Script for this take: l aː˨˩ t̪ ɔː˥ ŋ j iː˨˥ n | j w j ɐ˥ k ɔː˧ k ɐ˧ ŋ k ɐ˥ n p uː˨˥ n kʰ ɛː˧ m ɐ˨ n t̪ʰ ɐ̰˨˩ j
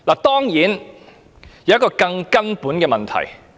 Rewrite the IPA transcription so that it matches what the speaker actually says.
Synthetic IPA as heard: l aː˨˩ t̪ ɔː˥ ŋ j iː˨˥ n | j w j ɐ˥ k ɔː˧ k ɐ˧ ŋ k ɐ˥ n p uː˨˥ n k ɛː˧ m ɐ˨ n t̪ʰ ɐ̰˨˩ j